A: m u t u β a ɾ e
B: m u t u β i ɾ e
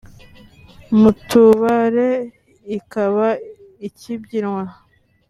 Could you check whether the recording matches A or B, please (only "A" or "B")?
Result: A